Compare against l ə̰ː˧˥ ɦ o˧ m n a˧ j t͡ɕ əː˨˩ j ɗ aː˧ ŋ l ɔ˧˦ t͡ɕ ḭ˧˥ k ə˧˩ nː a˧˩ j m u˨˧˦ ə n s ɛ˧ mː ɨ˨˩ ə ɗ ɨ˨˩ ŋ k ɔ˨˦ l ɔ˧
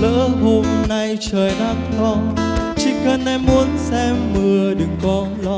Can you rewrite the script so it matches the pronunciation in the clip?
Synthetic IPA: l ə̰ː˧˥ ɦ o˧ m n a˧ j t͡ɕ əː˨˩ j ɗ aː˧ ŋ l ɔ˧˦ t͡ɕ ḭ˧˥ k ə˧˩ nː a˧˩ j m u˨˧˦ ə n s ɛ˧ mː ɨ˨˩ ə ɗ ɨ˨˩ ŋ k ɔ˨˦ l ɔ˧